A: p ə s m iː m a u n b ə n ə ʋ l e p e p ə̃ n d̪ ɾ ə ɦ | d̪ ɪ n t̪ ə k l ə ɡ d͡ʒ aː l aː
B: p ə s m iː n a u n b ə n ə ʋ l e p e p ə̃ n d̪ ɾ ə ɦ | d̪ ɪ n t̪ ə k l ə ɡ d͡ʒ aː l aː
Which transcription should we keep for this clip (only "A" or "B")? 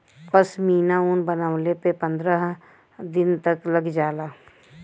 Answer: B